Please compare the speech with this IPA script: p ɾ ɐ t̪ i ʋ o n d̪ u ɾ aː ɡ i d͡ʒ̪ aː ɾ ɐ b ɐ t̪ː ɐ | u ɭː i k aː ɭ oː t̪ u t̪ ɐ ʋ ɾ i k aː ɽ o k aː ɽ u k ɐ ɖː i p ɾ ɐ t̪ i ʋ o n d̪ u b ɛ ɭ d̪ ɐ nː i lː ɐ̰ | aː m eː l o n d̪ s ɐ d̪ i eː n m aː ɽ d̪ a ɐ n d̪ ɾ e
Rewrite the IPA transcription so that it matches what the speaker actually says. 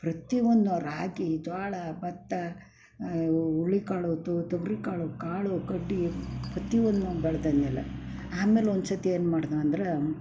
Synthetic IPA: p ɾ ɐ t̪ i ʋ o n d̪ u ɾ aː ɡ i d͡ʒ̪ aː ɭ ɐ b ɐ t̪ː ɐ | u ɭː i k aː ɭ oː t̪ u t̪ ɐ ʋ ɾ i k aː ɭ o k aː ɭ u k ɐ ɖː i p ɾ ɐ t̪ i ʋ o n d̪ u b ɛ ɭ d̪ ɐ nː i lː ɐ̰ | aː m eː l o n d̪ s ɐ t̪ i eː n m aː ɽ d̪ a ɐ n d̪ ɾ e